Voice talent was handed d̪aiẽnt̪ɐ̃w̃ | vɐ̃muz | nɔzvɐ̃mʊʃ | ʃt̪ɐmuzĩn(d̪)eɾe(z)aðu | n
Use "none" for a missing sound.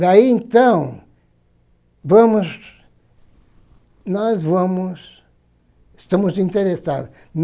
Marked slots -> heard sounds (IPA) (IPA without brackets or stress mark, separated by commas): t̪, s